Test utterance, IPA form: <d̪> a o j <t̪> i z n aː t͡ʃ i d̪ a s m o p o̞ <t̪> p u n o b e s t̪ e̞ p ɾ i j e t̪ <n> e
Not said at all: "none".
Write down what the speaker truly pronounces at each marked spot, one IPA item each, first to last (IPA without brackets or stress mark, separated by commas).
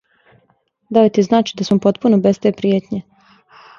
d̪, t̪, t̪, ɲ